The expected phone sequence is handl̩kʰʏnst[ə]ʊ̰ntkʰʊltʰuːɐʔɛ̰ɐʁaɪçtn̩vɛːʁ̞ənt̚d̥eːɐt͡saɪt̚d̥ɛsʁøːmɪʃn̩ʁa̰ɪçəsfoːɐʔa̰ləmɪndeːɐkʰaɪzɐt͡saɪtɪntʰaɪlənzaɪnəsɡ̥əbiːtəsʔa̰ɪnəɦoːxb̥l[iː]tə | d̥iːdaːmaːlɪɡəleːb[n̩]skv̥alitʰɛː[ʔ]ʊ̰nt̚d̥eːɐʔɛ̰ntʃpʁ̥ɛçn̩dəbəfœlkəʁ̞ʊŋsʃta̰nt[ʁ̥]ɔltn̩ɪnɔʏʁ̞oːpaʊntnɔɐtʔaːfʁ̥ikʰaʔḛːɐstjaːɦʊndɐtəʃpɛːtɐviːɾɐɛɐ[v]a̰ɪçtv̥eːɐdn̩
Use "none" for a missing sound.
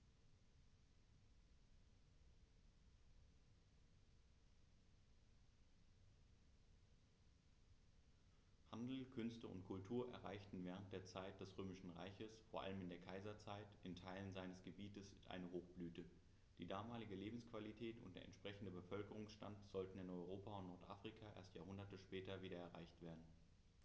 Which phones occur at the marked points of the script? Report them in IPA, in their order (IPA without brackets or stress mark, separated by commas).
ə, yː, m̩, t, z̥, ʁ